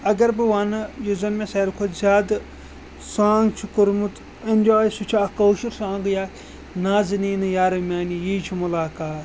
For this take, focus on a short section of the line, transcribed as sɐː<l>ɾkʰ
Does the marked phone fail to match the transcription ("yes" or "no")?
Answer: yes